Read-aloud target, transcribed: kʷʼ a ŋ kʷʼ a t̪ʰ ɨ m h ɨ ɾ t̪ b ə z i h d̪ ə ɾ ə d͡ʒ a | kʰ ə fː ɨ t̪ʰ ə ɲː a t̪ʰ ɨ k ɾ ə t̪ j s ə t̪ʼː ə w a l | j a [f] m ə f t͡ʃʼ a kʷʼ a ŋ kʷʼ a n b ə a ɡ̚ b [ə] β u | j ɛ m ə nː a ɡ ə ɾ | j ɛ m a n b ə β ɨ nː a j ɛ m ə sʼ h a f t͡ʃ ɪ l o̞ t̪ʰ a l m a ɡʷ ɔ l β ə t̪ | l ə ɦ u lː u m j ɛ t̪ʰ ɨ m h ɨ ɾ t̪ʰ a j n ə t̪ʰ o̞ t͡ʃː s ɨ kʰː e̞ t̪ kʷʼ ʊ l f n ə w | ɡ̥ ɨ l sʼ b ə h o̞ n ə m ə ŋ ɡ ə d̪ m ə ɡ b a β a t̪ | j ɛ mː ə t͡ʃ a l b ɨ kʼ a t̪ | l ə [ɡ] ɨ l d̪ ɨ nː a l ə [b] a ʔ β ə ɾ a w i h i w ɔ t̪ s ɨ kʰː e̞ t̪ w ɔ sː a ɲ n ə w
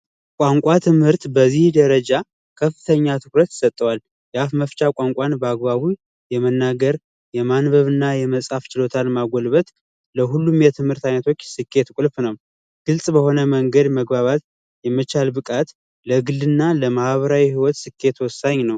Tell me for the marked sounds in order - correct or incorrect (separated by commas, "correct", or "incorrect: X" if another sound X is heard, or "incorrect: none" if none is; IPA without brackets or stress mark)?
correct, incorrect: a, correct, incorrect: m